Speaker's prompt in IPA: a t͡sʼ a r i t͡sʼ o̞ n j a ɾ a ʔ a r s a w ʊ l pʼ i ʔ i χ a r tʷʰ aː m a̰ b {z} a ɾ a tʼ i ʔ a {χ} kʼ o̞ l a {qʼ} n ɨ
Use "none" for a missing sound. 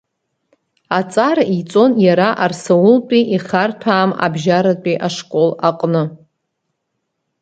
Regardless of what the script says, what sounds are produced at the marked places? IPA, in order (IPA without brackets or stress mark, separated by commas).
ʒ, ʂ, qʼ